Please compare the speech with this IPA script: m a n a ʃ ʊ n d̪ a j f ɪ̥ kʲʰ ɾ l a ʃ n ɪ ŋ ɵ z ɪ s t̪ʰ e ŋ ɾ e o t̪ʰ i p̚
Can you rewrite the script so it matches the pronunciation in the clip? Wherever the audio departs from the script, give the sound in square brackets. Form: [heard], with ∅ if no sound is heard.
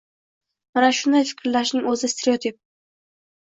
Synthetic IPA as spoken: m a n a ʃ ʊ n d̪ a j f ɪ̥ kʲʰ ɾ l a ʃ n ɪ ŋ ɵ z ɪ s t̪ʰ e [∅] ɾ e o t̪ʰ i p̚